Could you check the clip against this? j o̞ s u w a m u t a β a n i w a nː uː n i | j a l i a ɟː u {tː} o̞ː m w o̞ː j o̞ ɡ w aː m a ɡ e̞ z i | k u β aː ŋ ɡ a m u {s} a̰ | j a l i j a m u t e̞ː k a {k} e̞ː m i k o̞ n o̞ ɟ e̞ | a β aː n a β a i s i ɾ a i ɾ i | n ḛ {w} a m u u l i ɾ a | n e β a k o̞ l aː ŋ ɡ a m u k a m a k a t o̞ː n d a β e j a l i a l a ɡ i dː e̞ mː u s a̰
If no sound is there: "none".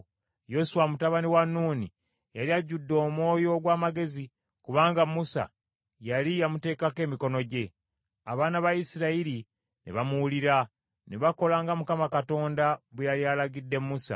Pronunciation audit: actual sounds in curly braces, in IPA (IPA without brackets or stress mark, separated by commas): dː, s, k, β